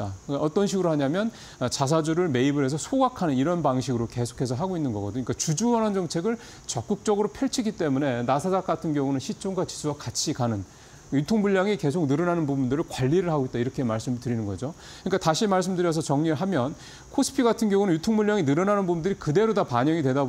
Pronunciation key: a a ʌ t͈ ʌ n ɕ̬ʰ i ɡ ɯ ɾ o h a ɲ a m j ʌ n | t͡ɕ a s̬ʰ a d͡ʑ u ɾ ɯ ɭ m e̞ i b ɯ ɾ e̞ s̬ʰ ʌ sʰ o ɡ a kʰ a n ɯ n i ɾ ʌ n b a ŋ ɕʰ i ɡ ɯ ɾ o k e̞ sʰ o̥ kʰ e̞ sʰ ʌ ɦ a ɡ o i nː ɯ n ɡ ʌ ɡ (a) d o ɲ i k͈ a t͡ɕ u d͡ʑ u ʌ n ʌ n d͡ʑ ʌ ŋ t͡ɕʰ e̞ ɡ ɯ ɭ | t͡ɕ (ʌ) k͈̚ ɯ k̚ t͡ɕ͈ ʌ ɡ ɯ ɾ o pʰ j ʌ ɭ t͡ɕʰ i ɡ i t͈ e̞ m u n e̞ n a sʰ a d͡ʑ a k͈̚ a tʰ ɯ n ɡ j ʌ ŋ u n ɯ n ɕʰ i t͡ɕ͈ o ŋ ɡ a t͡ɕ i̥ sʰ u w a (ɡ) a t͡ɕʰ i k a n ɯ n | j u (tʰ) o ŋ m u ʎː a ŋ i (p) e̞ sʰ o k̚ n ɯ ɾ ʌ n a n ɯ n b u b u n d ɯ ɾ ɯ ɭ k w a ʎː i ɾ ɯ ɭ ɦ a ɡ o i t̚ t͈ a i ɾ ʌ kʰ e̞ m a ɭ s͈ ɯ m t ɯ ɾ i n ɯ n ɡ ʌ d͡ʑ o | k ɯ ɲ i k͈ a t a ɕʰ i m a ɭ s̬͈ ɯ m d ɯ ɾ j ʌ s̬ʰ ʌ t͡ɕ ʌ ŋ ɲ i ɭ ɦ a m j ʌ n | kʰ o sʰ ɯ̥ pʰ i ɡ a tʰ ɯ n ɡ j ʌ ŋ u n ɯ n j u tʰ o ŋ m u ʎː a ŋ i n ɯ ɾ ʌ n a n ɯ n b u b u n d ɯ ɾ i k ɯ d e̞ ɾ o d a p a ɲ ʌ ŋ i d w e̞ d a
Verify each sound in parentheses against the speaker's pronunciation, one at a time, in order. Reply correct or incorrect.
incorrect, correct, incorrect, correct, incorrect

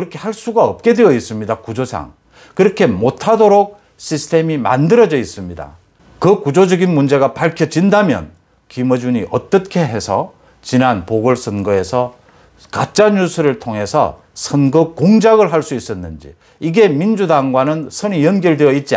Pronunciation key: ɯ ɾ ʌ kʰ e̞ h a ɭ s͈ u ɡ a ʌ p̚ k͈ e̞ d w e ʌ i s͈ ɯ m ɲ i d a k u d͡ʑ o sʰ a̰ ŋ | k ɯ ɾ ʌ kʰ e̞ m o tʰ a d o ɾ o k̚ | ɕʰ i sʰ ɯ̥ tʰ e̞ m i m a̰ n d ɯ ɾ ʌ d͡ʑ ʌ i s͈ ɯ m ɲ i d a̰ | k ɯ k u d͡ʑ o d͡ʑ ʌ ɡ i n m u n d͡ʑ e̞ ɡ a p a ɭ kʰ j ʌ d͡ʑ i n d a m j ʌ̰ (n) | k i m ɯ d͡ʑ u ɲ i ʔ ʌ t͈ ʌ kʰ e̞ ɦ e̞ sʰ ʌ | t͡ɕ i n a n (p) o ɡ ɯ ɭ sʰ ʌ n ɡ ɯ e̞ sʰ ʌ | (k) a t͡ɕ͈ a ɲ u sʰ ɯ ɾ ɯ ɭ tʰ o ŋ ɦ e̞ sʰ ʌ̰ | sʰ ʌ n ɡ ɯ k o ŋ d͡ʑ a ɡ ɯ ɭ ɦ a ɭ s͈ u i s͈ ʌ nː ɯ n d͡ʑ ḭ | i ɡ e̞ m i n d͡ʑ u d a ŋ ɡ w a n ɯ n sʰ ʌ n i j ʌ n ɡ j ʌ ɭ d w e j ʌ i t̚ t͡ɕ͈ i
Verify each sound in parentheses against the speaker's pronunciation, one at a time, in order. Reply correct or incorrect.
correct, correct, correct

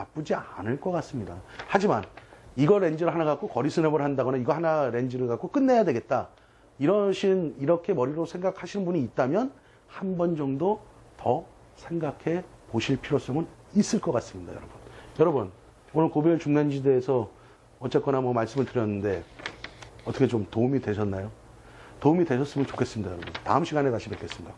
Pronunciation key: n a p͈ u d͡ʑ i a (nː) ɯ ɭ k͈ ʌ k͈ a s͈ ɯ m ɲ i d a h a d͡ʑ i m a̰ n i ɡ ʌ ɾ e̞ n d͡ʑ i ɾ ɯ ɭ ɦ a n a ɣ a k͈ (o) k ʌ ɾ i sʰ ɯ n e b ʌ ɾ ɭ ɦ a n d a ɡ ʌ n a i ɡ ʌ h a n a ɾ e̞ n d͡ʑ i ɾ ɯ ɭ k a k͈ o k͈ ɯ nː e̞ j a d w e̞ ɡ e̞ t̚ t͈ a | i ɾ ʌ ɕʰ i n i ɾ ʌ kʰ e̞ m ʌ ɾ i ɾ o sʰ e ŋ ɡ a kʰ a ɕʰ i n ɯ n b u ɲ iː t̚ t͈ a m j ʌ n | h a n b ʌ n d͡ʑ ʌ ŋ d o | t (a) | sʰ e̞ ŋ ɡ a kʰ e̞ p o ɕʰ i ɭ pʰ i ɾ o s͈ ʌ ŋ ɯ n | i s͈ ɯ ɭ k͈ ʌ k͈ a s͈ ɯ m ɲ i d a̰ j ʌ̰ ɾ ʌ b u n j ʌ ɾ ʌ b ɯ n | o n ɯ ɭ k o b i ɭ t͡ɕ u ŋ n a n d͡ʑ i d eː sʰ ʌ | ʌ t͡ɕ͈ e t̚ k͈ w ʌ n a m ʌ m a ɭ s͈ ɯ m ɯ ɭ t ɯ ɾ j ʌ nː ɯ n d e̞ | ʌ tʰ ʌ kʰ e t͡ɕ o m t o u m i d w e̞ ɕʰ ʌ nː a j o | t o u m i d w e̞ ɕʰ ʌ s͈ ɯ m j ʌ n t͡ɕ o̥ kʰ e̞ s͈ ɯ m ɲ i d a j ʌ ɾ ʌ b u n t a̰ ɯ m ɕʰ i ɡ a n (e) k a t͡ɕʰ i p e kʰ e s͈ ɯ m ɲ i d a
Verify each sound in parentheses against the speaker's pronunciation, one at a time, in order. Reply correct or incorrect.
incorrect, correct, incorrect, correct

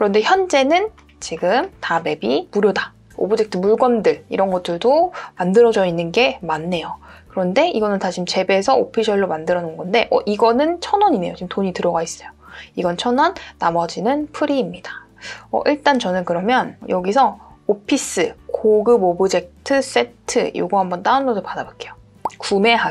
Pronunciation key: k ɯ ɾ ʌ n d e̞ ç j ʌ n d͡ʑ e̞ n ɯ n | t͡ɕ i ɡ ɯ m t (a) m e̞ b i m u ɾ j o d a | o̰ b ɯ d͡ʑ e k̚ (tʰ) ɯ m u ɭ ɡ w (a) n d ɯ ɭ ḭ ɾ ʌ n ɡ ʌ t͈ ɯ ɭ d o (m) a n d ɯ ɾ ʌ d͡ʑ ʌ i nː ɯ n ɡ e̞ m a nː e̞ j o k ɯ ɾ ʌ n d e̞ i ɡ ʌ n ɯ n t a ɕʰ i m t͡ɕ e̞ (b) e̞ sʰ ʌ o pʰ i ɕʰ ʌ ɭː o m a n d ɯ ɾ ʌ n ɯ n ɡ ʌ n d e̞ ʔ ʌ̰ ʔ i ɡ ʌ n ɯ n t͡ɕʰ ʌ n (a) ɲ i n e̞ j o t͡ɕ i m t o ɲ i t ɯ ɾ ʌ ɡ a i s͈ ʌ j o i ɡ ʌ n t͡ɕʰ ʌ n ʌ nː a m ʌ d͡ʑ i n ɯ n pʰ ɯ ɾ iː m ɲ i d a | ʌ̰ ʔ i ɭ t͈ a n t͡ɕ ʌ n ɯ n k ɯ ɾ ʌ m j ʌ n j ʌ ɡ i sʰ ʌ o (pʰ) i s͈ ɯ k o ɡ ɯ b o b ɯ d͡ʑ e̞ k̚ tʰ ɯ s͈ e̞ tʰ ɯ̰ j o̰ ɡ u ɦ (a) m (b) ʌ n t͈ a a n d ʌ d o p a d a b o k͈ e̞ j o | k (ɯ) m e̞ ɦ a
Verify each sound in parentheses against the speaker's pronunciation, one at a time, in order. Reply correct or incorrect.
correct, correct, incorrect, correct, correct, incorrect, correct, correct, correct, incorrect

